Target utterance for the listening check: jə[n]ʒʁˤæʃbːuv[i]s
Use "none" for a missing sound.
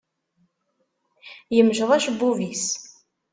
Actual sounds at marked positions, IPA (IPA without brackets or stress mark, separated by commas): m, i